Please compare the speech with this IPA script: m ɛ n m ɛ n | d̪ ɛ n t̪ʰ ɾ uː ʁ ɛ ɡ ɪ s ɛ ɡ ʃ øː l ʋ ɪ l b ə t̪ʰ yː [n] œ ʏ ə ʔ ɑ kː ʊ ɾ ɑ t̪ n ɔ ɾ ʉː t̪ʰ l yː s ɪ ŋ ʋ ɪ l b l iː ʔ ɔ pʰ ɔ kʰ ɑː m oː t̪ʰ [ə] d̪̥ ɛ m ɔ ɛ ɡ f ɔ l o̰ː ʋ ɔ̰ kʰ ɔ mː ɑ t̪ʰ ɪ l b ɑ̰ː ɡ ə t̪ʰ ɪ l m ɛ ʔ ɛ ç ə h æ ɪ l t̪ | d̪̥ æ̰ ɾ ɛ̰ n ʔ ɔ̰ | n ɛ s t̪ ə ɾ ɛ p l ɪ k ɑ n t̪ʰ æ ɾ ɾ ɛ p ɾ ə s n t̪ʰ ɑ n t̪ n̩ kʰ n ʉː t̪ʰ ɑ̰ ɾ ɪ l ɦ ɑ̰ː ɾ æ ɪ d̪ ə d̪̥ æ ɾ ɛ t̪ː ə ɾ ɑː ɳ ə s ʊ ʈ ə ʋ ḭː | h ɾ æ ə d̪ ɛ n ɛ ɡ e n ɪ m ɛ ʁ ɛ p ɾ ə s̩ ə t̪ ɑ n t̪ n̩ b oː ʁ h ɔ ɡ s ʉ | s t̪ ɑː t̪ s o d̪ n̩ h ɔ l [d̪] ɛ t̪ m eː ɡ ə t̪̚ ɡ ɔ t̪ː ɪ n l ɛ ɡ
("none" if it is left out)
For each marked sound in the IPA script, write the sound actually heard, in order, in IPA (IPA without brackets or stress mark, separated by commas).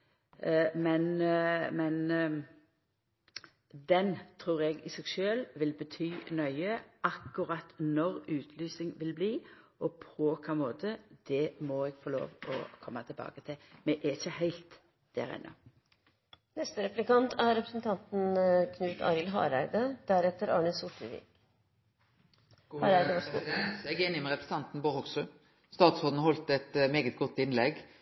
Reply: n, ə, t̪